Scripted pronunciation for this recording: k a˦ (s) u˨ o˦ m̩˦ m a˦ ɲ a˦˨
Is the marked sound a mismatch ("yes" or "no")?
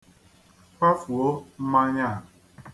yes